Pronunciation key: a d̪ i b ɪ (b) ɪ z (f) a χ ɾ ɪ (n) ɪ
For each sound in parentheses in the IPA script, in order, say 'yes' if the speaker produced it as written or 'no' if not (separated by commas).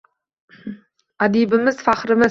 no, yes, no